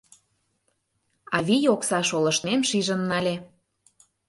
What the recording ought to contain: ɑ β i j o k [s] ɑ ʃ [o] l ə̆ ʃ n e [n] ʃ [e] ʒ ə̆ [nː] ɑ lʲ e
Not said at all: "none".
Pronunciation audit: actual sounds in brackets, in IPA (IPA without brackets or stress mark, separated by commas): s, o, m, i, nː